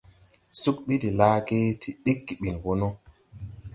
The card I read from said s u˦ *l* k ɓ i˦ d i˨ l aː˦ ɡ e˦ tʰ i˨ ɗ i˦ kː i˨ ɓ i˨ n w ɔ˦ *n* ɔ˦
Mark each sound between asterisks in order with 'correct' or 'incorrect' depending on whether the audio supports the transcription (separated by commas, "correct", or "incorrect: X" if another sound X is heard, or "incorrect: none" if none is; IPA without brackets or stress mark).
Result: incorrect: none, correct